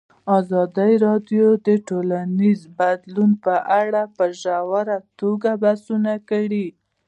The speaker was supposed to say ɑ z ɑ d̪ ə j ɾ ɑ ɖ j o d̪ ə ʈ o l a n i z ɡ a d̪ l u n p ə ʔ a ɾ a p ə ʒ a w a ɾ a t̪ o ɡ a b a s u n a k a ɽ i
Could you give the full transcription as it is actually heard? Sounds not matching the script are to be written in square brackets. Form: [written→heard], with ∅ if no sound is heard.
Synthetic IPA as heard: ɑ z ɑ d̪ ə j ɾ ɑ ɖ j o d̪ ə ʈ o l a n i z [ɡ→b] a d̪ l u n p ə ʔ a [ɾ→ɽ] a p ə ʒ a w a ɾ a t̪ o ɡ a b a s u n a k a ɽ i